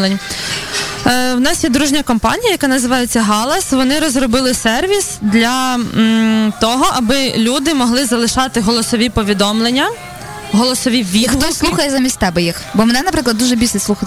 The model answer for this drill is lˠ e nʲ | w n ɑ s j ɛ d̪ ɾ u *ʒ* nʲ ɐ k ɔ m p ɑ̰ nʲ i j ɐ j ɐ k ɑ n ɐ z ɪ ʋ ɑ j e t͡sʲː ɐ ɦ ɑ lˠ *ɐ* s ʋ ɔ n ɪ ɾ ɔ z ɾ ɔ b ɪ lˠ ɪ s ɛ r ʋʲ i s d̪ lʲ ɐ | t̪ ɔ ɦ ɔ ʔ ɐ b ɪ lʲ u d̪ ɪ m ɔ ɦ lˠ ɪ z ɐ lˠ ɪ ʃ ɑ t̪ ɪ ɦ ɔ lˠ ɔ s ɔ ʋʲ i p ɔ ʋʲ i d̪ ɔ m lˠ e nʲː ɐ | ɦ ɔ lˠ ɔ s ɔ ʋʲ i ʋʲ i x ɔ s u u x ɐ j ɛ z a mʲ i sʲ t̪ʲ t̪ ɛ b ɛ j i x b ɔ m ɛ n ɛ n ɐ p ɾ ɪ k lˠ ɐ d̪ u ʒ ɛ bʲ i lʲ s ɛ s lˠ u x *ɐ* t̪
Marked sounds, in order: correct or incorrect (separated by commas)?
correct, correct, correct